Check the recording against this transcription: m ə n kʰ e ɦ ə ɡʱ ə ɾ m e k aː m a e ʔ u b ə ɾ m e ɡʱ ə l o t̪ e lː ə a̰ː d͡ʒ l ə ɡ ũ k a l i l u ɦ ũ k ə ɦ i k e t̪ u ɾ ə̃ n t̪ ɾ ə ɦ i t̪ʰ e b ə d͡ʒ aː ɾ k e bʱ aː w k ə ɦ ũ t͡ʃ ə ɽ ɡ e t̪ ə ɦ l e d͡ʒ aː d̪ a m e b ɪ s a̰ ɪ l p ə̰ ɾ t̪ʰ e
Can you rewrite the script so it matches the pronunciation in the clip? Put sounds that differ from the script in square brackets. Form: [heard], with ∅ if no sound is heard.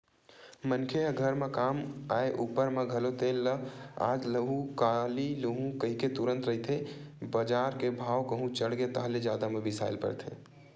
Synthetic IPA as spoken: m ə n kʰ e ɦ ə ɡʱ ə ɾ m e k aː m a e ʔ u [p] ə ɾ m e ɡʱ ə l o t̪ e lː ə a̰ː d͡ʒ l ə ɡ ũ k a l i l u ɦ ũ k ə ɦ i k e t̪ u ɾ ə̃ n t̪ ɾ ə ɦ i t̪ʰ e b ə d͡ʒ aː ɾ k e bʱ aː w k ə ɦ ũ t͡ʃ ə ɽ ɡ e t̪ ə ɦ l e d͡ʒ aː d̪ a m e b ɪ s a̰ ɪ l p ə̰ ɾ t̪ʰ e

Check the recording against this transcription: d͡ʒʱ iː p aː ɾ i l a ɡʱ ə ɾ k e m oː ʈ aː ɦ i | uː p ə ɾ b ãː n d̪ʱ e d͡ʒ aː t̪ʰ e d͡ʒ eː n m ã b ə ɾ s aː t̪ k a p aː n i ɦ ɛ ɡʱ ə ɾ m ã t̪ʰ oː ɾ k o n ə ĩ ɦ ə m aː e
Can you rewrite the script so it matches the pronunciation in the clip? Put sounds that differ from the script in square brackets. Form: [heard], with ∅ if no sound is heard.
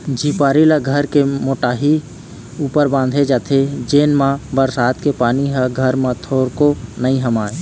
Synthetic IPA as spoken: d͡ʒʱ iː p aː ɾ i l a ɡʱ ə ɾ k e m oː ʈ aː ɦ i | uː p ə ɾ b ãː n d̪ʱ e d͡ʒ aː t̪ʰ e d͡ʒ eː n m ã b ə ɾ s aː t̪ k [e] p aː n i ɦ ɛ ɡʱ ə ɾ m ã t̪ʰ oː ɾ k o n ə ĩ ɦ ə m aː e

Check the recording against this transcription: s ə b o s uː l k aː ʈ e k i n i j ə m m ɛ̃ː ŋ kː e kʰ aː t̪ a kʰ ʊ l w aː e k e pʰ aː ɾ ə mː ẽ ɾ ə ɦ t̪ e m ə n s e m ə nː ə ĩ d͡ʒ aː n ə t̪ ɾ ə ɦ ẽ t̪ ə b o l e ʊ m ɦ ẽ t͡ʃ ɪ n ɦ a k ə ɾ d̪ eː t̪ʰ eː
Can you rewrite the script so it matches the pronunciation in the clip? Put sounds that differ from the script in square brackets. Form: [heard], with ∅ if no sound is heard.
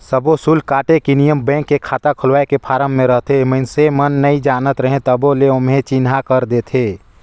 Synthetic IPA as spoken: s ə b o s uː l k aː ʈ e k i n i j ə m [b] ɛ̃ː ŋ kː e kʰ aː t̪ a kʰ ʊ l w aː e k e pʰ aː ɾ ə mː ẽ ɾ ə ɦ t̪ e m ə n s e m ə nː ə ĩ d͡ʒ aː n ə t̪ ɾ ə ɦ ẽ t̪ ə b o l e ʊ m ɦ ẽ t͡ʃ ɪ n ɦ a k ə ɾ d̪ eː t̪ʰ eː

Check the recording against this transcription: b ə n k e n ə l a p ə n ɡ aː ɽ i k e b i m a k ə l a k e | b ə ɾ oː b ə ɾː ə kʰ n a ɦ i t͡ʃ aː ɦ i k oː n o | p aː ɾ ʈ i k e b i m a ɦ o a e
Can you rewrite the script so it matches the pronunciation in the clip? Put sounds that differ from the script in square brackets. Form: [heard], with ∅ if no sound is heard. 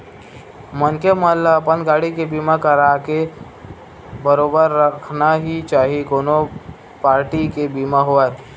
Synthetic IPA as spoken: [m] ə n k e [m] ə l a p ə n ɡ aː ɽ i k e b i m a k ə [ɾ] a k e | b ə ɾ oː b ə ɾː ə kʰ n a ɦ i t͡ʃ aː ɦ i k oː n o | p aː ɾ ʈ i k e b i m a ɦ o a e

